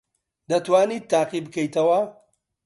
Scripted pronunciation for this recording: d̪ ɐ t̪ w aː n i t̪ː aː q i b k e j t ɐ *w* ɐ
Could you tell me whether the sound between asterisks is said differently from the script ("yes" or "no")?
no